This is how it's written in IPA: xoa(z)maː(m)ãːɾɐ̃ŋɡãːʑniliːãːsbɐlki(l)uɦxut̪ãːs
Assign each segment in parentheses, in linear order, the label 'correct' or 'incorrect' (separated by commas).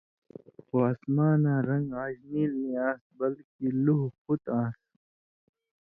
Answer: incorrect, incorrect, correct